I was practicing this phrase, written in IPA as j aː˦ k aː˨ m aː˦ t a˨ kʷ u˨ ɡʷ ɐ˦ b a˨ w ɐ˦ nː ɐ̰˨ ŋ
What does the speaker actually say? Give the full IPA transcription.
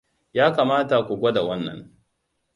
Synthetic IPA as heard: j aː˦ k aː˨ m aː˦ t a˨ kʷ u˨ ɡʷ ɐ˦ d a˨ w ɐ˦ nː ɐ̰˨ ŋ